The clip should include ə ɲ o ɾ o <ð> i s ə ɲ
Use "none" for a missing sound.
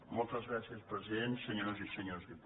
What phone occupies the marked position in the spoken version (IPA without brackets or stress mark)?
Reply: z